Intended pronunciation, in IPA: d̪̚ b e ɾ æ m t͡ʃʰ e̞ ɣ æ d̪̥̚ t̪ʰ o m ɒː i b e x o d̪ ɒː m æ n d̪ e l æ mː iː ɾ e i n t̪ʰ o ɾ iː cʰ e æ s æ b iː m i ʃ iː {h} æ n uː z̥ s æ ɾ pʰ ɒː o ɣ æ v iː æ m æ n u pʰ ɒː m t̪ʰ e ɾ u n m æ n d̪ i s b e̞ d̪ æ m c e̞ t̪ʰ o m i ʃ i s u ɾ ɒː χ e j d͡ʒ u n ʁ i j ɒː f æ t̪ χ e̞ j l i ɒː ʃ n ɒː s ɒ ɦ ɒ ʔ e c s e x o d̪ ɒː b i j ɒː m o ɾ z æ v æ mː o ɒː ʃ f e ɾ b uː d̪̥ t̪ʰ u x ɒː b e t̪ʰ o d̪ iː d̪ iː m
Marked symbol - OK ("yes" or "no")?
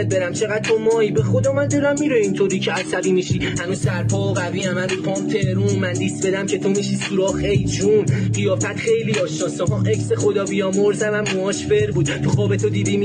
yes